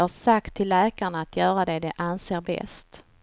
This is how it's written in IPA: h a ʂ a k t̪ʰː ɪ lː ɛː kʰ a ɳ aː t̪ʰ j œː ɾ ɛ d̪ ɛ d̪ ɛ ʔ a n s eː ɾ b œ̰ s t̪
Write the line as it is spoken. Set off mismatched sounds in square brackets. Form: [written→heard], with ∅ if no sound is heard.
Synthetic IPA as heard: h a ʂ a k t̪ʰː ɪ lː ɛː [kʰ→k] a ɳ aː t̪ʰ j œː ɾ [ɛ→a] d̪ ɛ d̪ ɛ ʔ a n s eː ɾ b [œ̰→ɛ̰] s t̪